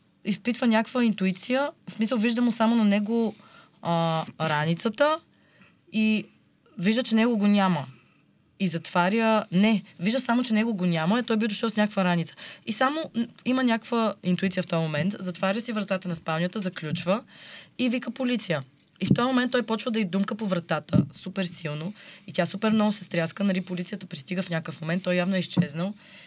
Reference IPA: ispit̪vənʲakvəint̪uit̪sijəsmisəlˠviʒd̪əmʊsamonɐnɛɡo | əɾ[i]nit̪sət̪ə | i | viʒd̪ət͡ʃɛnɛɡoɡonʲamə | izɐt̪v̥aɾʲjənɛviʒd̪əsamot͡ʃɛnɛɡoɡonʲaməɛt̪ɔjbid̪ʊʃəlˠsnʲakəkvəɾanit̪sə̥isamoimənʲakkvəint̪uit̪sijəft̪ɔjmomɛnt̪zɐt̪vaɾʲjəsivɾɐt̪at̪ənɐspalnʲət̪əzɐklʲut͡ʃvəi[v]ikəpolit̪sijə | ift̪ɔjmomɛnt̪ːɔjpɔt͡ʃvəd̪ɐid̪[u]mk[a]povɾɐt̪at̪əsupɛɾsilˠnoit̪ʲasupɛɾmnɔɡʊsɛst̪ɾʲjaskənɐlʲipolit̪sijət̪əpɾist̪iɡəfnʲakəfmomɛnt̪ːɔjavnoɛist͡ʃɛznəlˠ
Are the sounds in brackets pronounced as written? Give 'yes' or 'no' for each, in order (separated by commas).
no, yes, yes, no